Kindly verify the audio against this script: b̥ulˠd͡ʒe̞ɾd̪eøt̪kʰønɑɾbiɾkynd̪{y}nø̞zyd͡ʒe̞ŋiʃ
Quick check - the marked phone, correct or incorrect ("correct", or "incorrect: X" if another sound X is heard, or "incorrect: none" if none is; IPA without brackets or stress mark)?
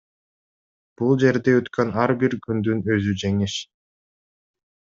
correct